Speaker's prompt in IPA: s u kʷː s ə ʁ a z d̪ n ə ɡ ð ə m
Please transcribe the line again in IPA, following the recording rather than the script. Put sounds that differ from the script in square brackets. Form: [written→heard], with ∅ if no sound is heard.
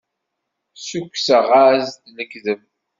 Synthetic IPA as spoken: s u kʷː s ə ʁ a z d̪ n ə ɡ ð ə m